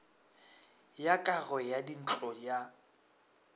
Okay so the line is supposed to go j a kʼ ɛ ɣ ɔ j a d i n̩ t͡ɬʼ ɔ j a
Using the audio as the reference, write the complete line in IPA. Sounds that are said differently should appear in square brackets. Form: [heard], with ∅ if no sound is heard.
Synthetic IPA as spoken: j a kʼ [a] ɣ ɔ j a d i n̩ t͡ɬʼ ɔ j a